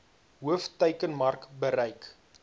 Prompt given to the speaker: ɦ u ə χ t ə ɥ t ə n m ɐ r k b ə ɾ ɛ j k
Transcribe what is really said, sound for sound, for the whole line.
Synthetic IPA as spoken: ɦ u ə f t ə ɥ k ə n m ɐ r k b ə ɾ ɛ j k